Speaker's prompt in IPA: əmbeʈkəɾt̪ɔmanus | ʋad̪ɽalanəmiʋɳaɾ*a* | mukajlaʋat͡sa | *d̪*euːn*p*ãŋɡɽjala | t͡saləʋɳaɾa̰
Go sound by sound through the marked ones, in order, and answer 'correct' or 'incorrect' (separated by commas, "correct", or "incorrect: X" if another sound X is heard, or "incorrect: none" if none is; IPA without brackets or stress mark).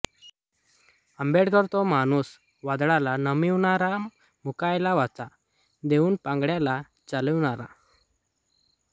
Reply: correct, correct, correct